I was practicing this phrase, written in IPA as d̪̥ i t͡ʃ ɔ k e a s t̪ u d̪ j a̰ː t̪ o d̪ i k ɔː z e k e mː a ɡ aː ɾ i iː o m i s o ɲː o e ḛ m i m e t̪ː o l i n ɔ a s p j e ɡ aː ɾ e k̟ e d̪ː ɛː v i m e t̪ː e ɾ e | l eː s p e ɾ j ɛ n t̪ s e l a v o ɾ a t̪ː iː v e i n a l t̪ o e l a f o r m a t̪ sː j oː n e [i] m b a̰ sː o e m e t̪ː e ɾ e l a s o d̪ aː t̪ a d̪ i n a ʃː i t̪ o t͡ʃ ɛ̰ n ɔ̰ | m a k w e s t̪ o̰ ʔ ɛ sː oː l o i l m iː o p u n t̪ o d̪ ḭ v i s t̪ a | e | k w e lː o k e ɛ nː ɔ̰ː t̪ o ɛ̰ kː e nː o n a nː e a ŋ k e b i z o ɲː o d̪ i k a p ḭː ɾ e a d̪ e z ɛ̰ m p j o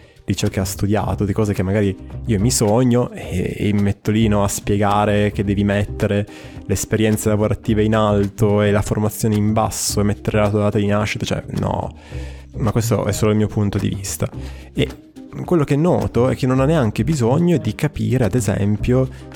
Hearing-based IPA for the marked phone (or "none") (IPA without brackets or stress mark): i